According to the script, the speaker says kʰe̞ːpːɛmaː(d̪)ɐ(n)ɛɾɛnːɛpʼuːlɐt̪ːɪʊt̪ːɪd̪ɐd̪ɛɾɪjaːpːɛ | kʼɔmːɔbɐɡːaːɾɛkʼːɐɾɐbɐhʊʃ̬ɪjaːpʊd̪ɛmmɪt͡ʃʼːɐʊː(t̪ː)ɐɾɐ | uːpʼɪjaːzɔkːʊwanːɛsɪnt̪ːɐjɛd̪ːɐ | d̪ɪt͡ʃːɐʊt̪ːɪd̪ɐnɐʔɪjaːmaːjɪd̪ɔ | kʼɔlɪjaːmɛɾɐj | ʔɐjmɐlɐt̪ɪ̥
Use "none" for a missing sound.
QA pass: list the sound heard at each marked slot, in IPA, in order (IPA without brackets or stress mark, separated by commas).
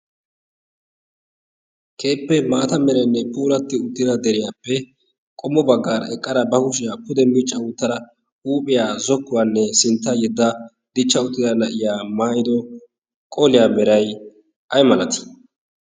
t̪, m, t̪ː